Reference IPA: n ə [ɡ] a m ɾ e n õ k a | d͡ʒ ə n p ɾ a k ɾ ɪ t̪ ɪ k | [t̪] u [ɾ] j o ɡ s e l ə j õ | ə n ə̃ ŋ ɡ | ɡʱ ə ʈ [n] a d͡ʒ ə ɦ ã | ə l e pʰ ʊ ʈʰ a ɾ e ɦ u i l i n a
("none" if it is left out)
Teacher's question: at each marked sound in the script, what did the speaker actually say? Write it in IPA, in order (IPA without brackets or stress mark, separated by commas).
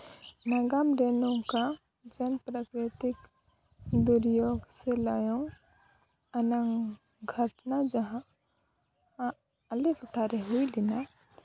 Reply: ɡ, d̪, ɾ, n